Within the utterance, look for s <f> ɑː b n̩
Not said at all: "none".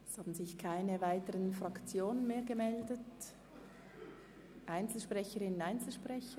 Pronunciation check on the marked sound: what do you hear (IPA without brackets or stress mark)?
h